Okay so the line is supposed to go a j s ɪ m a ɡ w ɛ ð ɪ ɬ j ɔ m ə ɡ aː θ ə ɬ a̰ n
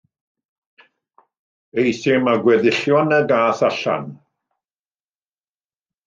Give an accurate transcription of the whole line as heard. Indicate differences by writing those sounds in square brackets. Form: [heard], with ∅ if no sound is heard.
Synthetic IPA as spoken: [e] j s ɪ m a ɡ w ɛ ð ɪ ɬ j ɔ [n] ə ɡ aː θ [a] ɬ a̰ n